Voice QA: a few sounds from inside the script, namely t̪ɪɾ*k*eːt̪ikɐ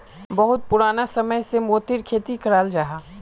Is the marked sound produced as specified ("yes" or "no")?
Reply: no